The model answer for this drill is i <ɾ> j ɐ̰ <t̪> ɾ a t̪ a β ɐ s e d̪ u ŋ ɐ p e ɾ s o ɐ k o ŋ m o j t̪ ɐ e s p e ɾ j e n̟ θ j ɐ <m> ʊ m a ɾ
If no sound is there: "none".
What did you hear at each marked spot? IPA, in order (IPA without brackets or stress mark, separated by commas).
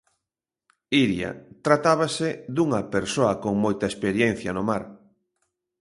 ɾ, t̪, n